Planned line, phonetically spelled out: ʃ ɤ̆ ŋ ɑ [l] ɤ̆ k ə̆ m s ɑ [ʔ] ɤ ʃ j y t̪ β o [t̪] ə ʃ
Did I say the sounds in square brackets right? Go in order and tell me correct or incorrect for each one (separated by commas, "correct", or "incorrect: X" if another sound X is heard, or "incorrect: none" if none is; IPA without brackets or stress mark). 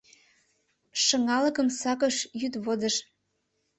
correct, incorrect: k, incorrect: d̪